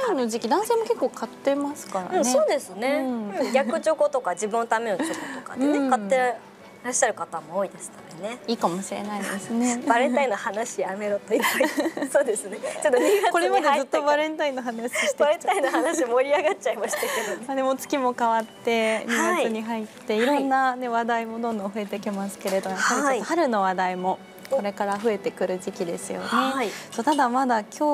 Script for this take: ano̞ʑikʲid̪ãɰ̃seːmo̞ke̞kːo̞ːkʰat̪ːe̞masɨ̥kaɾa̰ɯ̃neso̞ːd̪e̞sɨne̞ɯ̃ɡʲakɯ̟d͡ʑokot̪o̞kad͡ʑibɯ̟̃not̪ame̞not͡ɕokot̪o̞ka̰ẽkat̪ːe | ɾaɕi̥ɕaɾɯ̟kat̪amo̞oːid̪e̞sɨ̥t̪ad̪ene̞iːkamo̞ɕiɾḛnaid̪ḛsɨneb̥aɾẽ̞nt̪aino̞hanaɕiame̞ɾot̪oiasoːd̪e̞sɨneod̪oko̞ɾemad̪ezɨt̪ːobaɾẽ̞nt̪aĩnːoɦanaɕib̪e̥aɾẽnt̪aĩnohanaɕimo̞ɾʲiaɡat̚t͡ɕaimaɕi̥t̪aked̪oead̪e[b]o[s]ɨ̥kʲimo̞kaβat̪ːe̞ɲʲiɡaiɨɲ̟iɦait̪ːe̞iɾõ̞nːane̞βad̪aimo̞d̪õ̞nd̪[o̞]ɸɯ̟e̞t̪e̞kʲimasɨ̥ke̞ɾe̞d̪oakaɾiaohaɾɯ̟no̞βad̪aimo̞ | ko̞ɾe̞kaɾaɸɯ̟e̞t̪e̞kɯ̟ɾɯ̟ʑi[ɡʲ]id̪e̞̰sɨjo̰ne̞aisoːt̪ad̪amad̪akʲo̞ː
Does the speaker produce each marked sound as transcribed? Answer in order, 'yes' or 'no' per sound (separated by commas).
no, no, no, no